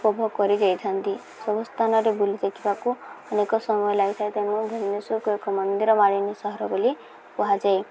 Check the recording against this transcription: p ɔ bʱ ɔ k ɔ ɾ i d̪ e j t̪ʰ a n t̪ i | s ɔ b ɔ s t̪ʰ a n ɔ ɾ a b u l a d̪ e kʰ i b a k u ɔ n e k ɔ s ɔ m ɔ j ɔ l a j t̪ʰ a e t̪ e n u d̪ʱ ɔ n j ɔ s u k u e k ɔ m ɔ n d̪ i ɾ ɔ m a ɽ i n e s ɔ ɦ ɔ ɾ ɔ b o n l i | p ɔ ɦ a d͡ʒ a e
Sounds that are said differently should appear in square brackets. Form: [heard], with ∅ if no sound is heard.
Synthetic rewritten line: p ɔ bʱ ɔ k ɔ ɾ i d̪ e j t̪ʰ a n t̪ i | s ɔ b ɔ s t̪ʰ a n ɔ ɾ [e] b u l [i] d̪ e kʰ i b a k u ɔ n e k ɔ s ɔ m ɔ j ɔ l a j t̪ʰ a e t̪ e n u d̪ʱ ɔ n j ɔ s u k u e k ɔ m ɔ n d̪ i ɾ ɔ m a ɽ i n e s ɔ ɦ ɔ ɾ ɔ b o [∅] l i | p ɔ ɦ a d͡ʒ a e